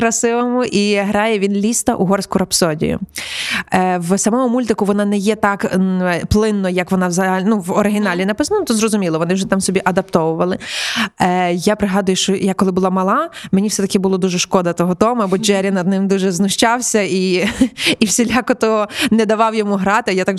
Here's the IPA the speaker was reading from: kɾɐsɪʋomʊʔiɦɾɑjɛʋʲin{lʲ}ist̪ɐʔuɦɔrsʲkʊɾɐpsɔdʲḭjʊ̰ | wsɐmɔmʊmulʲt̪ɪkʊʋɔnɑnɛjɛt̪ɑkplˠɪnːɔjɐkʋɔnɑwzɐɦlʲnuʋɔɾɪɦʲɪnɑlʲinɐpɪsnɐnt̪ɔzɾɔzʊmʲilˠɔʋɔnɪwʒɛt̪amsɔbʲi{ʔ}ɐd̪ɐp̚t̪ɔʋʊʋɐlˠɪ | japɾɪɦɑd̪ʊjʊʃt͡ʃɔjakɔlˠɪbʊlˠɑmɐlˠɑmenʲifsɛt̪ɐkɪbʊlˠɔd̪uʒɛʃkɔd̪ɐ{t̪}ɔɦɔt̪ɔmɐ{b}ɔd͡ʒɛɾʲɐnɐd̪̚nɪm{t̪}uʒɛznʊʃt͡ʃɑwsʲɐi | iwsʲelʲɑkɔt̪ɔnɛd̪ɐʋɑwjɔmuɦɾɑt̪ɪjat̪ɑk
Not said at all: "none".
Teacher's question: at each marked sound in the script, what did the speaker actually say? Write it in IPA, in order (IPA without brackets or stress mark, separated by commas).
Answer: lʲ, ʔ, t̪, b, d̪